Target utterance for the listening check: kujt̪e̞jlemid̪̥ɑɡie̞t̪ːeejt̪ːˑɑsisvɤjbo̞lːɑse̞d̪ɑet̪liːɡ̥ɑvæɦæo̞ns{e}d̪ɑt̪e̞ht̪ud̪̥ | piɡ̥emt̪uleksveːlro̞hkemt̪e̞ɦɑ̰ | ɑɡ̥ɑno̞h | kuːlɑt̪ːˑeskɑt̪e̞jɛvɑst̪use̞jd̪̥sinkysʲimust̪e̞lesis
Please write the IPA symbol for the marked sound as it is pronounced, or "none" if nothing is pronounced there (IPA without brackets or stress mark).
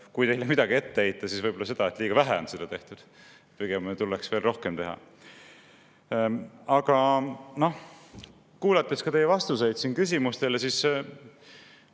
e